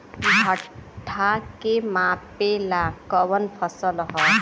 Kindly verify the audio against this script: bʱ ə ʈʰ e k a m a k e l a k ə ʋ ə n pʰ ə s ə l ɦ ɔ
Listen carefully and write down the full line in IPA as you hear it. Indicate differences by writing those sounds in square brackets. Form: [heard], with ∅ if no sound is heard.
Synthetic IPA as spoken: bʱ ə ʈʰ [a] k [e] m a [p] e l a k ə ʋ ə n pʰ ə s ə l ɦ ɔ